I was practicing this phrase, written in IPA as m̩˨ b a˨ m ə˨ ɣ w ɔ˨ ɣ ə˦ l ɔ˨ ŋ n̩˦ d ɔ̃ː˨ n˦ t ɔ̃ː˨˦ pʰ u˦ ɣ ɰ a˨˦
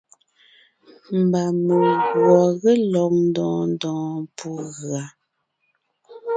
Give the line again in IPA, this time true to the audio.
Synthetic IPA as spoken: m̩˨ b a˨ m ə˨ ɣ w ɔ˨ ɣ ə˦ l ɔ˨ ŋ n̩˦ d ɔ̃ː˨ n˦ d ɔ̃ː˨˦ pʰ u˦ ɣ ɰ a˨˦